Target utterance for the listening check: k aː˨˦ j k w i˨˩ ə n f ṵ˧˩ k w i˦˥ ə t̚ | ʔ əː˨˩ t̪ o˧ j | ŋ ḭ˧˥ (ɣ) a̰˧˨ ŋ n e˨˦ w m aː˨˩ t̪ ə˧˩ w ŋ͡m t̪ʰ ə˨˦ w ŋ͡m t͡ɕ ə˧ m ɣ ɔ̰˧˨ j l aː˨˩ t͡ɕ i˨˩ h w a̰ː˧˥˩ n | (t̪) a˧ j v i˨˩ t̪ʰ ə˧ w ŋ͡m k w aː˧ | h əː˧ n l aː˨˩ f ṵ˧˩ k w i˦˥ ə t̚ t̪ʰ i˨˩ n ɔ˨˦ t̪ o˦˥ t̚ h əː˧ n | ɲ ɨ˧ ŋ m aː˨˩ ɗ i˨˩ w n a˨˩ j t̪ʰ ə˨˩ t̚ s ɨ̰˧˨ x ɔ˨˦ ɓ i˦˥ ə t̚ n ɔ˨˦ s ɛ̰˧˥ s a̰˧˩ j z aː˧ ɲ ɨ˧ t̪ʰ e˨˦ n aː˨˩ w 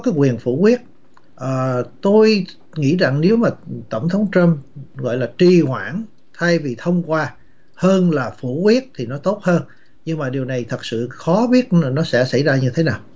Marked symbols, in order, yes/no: no, no

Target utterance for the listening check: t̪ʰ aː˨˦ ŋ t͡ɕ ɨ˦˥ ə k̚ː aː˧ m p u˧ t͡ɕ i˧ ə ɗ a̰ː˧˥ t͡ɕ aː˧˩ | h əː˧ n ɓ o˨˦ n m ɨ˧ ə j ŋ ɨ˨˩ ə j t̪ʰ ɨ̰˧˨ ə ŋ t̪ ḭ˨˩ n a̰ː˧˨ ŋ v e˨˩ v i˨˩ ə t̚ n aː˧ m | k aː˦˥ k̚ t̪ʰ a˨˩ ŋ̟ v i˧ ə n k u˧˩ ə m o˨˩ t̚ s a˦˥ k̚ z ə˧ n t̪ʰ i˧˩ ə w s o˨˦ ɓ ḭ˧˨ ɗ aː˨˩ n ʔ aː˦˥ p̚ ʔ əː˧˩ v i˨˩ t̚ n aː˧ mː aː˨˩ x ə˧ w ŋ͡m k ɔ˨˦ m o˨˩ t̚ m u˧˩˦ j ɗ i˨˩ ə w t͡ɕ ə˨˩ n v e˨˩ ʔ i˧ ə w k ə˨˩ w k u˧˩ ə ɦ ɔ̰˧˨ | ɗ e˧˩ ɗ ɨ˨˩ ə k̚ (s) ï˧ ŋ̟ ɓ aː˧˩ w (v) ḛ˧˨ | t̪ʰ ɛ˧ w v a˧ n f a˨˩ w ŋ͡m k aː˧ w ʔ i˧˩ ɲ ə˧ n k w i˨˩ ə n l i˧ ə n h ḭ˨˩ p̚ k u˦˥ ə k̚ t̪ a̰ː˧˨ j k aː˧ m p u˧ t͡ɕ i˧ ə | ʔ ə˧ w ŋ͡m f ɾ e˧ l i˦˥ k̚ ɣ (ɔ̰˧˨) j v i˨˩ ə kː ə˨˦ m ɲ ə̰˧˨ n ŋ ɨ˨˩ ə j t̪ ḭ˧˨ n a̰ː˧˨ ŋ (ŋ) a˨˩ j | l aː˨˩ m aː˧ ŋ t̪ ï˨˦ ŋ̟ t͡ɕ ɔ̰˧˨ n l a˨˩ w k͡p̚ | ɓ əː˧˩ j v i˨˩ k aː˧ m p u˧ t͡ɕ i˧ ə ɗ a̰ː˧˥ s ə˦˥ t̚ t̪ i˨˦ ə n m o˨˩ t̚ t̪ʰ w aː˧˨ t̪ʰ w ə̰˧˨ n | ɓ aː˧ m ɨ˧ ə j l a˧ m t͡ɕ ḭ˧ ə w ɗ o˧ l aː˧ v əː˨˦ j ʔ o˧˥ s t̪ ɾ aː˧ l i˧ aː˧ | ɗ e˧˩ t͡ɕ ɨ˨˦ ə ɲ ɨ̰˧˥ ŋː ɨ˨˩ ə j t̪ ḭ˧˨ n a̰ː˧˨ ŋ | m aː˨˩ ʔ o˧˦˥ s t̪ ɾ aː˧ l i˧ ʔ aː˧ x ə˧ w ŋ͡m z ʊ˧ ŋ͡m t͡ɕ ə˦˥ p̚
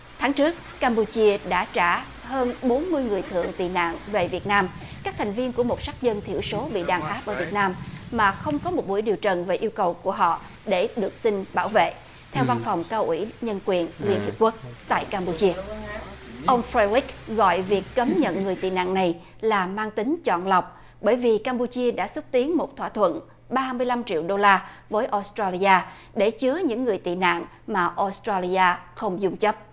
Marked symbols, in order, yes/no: yes, yes, yes, no

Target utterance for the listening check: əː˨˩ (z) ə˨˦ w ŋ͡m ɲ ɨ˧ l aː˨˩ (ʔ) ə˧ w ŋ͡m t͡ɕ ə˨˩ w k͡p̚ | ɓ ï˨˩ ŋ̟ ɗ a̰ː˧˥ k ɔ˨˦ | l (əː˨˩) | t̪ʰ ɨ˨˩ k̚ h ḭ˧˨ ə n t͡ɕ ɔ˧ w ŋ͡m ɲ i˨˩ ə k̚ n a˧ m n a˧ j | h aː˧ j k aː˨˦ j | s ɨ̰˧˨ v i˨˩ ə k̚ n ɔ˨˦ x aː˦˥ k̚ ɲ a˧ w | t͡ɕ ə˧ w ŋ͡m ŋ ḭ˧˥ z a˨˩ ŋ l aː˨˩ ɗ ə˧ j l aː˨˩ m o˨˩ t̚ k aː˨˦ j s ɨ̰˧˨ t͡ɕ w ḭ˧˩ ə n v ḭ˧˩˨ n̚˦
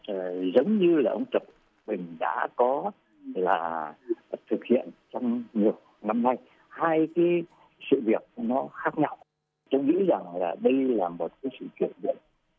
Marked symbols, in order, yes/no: yes, yes, no

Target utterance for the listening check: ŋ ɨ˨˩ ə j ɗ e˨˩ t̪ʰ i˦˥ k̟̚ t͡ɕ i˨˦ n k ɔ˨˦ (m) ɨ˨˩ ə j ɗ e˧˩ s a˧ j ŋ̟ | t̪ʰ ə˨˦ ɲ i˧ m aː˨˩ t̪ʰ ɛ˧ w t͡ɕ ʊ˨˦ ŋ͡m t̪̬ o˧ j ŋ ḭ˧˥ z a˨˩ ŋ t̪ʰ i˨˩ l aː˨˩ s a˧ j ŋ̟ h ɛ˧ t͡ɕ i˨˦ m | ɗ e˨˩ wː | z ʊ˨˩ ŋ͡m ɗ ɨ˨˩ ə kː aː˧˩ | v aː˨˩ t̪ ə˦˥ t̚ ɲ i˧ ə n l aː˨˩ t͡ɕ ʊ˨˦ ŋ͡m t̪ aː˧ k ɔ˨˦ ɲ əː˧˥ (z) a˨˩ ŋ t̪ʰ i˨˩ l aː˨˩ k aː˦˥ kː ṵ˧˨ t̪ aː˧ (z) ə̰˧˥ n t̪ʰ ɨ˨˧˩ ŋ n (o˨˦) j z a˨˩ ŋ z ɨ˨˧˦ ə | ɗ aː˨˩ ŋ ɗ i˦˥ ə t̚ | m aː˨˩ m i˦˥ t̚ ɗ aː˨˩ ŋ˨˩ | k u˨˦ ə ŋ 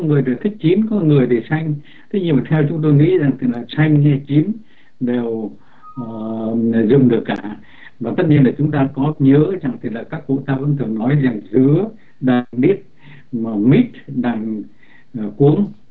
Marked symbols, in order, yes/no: no, yes, no, no

